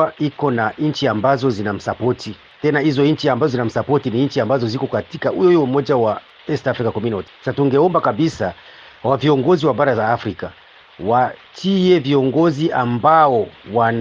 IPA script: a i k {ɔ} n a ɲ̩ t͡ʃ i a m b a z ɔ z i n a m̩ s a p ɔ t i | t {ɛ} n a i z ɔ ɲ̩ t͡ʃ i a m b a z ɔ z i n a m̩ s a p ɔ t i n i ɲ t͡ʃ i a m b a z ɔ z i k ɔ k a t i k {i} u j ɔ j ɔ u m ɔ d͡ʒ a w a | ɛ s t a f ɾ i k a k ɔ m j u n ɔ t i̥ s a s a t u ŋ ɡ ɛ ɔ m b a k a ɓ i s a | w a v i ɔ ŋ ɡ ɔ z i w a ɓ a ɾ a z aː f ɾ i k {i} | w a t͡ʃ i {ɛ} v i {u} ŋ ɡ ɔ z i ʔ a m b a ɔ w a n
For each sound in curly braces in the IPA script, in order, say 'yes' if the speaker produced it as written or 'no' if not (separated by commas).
yes, yes, no, no, yes, no